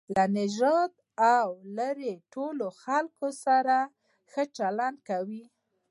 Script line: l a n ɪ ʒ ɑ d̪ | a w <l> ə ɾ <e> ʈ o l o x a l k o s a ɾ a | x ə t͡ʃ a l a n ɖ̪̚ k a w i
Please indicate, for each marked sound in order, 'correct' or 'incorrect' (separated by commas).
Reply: correct, correct